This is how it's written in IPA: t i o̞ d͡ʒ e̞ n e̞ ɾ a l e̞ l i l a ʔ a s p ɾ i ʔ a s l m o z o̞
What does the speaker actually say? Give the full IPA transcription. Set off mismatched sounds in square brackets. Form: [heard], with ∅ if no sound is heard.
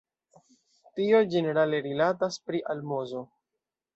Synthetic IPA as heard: t i o̞ d͡ʒ e̞ n e̞ ɾ a l e̞ [ɾ] i l a [t] a s p ɾ i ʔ a [∅] l m o z o̞